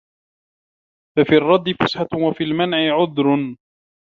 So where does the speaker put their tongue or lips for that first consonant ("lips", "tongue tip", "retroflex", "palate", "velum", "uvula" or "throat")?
lips